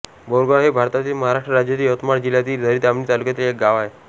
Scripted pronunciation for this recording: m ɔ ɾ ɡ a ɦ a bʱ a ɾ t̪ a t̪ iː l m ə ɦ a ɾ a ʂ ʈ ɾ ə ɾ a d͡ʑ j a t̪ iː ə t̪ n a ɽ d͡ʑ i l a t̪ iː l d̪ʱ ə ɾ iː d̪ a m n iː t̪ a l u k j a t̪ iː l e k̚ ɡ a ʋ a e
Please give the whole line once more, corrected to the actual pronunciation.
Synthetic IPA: b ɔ ɾ ɡ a ɦ e bʱ a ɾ t̪ a t̪ iː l m ə ɦ a ɾ a ʂ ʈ ɾ ə ɾ a d͡ʑ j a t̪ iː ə t̪ m a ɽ d͡ʑ i l a t̪ iː l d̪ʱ ə ɾ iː t̪ a m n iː t̪ a l u k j a t̪ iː l e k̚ ɡ a ʋ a e

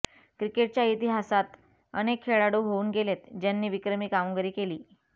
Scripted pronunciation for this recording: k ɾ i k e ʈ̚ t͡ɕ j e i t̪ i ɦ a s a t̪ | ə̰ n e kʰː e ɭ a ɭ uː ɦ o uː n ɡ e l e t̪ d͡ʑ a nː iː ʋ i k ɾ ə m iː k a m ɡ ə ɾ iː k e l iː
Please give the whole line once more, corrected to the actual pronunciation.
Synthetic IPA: k ɾ i k e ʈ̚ t͡ɕ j a i t̪ i ɦ a s a t̪ | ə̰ n e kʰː e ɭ a ɽ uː ɦ o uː n ɡ e l e t̪ d͡ʑ a nː iː ʋ i k ɾ ə m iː k a m ɡ ə ɾ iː k e l iː

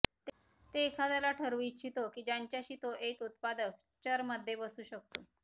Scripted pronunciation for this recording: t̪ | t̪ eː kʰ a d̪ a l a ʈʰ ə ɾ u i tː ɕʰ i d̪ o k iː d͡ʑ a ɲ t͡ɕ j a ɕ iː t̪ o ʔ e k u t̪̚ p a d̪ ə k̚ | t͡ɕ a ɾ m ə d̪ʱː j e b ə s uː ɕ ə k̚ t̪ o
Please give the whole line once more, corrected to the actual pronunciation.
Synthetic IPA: t̪ | t̪ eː kʰ a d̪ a l a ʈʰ ə ɾ u i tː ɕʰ i t̪ o k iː d͡ʑ a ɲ t͡ɕ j a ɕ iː t̪ o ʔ e k u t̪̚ p a d̪ ə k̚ | t͡ɕ ə ɾ m ə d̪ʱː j e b ə s uː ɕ ə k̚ t̪ o

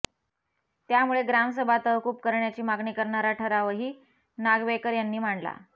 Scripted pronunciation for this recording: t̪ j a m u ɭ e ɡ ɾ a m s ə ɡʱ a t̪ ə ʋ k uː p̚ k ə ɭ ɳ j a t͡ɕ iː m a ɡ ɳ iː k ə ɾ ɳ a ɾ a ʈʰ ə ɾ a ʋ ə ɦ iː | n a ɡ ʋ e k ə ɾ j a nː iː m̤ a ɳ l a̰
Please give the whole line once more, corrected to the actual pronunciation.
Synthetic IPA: t̪ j a m u ɭ e ɡ ɾ a m s ə bʱ a t̪ ə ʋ k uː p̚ k ə ɾ ɳ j a t͡ɕ iː m a ɡ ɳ iː k ə ɾ ɳ a ɾ a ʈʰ ə ɾ a ʋ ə ɦ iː | n a ɡ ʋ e k ə ɾ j a nː iː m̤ a ɳ l a̰

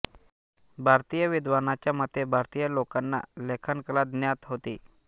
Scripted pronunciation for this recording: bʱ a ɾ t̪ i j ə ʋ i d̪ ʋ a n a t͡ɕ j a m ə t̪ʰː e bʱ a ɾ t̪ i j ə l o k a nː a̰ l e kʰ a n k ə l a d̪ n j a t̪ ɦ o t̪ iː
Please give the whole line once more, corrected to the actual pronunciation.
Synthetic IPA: bʱ a ɾ t̪ i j ə ʋ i d̪ ʋ a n a t͡ɕ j a m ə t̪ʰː e bʱ a ɾ t̪ i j ə l o k a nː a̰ l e kʰ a n k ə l a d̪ n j a t̪ ɦ o t̪ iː

